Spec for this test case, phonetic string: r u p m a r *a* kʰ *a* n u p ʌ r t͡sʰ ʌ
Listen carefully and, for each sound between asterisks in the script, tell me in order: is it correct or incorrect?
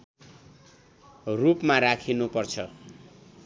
correct, incorrect

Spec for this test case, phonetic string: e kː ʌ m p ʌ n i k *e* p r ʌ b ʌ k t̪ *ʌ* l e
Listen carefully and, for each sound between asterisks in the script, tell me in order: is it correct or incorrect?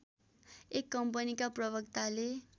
incorrect, incorrect

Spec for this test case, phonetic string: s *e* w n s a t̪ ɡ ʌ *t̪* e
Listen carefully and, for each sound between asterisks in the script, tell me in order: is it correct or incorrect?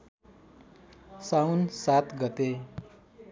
incorrect, correct

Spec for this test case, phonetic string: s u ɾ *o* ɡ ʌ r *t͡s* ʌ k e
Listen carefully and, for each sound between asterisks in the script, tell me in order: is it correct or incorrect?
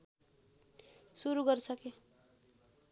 incorrect, incorrect

